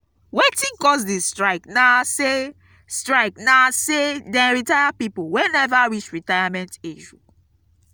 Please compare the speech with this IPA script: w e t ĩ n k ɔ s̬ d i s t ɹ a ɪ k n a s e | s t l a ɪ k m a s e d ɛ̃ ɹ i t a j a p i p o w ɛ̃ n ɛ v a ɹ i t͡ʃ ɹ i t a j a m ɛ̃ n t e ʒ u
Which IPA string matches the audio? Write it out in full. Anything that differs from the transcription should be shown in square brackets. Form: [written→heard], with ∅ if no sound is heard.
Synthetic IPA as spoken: w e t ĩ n k ɔ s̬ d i s t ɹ a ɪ k n a s e | s t [l→ɹ] a ɪ k [m→n] a s e d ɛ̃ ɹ i t a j a p i p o w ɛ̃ n ɛ v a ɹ i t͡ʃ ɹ i t a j a m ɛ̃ n t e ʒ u